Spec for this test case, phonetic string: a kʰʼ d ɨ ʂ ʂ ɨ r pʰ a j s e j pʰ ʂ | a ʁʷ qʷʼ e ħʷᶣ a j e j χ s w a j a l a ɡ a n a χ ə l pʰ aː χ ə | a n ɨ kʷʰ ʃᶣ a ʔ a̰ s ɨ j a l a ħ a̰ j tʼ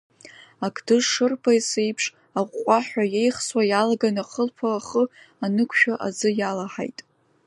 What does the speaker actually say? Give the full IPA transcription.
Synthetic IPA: a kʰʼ d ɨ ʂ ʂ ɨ r pʰ a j s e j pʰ ʂ | a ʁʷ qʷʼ a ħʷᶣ a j e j χ s w a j a l a ɡ a n a χ ə l pʰ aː χ ə | a n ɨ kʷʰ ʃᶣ a ʔ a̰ z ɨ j a l a ħ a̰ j tʼ

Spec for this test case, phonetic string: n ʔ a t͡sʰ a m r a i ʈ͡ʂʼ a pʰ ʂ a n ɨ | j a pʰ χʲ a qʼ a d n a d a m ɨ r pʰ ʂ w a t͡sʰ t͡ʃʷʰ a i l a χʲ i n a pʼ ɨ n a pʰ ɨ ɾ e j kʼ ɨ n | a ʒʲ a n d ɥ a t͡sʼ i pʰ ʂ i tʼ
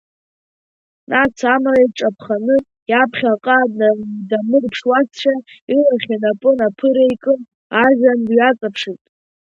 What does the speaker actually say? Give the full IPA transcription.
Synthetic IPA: n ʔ a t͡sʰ a m r a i ʈ͡ʂʼ a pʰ χ a n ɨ | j a pʰ χʲ a qʼ a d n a d a m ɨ r pʰ ʂ w a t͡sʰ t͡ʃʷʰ a i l a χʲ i n a pʼ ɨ n a pʰ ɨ ɾ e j kʼ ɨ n | a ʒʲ a n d ɥ a t͡sʼ a pʰ ʂ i tʼ

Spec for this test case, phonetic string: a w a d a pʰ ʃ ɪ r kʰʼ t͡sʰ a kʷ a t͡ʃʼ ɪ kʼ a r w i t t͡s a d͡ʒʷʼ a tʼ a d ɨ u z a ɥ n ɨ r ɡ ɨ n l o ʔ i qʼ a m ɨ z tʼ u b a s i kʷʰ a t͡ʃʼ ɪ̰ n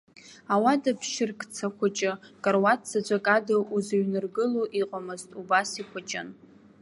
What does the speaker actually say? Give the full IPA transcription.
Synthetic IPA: a w a d a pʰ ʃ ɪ r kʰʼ t͡sʰ a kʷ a t͡ʃʼ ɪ kʼ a r w a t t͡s a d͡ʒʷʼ a kʼ a d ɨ u z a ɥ n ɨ r ɡ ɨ l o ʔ i qʼ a m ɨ z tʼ u b a s i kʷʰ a t͡ʃʼ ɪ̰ n

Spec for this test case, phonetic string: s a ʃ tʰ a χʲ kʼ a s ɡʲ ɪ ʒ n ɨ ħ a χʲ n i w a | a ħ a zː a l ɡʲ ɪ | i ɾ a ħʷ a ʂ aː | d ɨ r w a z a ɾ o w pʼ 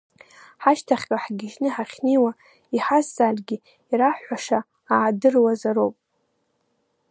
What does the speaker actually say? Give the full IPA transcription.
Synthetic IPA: ħ a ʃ tʰ a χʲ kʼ a ħ ɡʲ ɪ ʒ n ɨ ħ a χʲ n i w a | i ħ a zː a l ɡʲ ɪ | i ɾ a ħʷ a ʂ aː | d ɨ r w a z a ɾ o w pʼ

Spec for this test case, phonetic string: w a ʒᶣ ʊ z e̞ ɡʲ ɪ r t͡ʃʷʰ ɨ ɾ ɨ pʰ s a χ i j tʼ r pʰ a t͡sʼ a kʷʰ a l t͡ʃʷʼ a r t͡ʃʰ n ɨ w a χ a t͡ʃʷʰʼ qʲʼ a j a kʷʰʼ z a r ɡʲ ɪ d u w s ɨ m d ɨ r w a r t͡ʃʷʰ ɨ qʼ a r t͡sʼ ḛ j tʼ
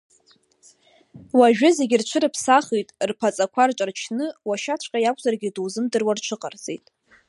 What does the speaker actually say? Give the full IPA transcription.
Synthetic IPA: w a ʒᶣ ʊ z e̞ ɡʲ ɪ r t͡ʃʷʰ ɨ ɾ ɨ pʰ s a χ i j tʼ r pʰ a t͡sʼ a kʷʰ a r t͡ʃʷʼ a r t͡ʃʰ n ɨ w a ʃ a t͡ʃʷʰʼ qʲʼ a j a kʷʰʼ z a r ɡʲ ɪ d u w z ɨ m d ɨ r w a r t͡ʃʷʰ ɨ qʼ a r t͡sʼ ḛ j tʼ

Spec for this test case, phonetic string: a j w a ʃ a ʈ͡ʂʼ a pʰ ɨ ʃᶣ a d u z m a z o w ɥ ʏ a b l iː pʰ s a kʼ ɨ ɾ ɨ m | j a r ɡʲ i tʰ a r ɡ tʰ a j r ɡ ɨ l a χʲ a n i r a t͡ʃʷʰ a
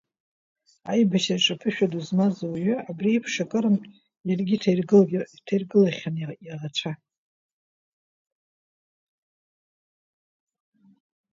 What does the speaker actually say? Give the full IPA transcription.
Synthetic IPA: a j b a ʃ a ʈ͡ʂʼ a pʰ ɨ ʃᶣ a d u z m a z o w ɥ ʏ a b r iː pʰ ʂ a kʼ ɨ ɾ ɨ m | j a r ɡʲ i tʰ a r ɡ tʰ a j r ɡ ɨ l a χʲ a n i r a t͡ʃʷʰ a

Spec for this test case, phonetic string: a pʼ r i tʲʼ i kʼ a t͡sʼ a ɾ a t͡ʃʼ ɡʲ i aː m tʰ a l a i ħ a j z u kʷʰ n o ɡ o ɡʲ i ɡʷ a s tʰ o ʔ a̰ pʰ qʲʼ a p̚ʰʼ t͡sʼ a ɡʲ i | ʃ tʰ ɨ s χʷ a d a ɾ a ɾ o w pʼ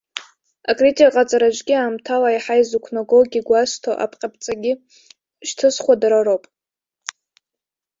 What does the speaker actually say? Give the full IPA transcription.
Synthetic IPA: a kʼ r i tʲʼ i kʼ a t͡sʼ a ɾ a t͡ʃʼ ɡʲ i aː m tʰ a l a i ħ a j z u kʷʰ n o ɡ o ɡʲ i ɡʷ a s tʰ o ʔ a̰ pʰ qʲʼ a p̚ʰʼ t͡sʼ a ɡʲ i | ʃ tʰ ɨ s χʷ a d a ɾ a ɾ o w pʼ

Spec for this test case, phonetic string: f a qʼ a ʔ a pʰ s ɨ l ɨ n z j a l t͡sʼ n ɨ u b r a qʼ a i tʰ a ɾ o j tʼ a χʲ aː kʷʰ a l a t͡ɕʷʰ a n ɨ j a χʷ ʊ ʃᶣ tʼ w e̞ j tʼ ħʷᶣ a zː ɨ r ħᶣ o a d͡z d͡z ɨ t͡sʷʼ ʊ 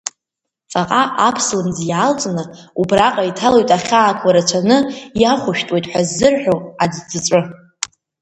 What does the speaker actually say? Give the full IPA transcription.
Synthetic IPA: f a qʼ a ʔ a pʰ s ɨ l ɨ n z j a l t͡sʼ n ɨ u b r a qʼ a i tʰ a l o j tʼ a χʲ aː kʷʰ a ɾ a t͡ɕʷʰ a n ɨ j a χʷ ʊ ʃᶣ tʼ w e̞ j tʼ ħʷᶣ a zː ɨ r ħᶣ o a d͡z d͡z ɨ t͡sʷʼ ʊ

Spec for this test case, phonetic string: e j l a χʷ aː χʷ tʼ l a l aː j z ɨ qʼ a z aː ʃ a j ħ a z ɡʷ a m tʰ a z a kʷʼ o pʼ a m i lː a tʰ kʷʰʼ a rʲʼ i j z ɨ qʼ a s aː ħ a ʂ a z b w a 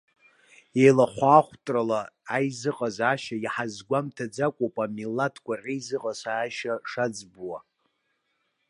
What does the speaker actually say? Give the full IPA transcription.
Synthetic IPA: e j l a χʷ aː χʷ tʼ r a l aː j z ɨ qʼ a z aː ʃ a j ħ a z ɡʷ a m tʰ a d͡z a kʷʼ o pʼ a m i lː a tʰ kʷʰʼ a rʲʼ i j z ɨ qʼ a s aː ʃ a ʂ a d͡z b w a

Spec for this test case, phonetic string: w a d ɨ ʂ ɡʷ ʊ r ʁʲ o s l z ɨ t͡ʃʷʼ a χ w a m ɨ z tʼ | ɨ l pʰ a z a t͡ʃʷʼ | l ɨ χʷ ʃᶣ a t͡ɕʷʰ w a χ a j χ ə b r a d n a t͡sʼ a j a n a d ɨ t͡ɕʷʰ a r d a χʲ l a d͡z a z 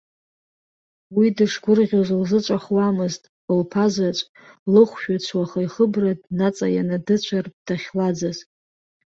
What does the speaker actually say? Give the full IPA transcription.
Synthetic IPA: w i d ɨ ʂ ɡʷ ʊ r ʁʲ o z l z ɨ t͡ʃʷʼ a χ w a m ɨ z tʼ | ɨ l pʰ a z a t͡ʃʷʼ | l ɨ χʷ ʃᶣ a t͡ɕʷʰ w a χ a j χ ə b r a d n a t͡sʼ a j a n a d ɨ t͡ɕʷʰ a r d a χʲ l a d͡z a z

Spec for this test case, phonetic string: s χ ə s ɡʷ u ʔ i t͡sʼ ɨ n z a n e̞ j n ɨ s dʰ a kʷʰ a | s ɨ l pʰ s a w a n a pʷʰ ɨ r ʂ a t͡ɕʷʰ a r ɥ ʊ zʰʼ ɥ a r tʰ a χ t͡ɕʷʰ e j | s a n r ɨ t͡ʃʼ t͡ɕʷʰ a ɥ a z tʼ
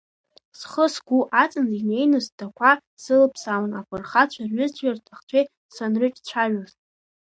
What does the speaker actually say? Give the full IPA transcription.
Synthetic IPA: s χ ə s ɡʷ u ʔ a t͡sʼ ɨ n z i n e̞ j n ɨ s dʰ a kʷʰ a | s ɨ l pʰ s a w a n a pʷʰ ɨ r χ a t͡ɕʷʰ a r ɥ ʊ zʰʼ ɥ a r tʰ a χ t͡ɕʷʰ e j | s a n r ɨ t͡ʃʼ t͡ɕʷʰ a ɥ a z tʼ

